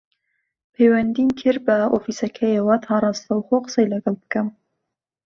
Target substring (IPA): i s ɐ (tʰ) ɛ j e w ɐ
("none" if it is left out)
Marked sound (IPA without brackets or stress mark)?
kʰ